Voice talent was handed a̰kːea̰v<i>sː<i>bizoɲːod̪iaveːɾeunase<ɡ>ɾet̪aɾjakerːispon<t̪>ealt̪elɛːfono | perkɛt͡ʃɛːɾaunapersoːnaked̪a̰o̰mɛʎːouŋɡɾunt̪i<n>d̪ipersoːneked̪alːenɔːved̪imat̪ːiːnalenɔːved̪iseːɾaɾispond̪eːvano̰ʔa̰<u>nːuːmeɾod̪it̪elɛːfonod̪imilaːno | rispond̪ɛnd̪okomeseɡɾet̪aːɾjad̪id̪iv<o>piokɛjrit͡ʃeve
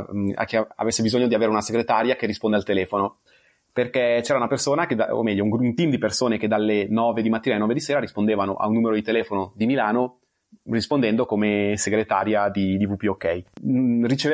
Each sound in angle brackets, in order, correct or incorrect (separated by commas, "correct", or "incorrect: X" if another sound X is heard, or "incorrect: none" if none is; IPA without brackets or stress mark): incorrect: e, incorrect: e, correct, incorrect: d̪, incorrect: m, correct, incorrect: u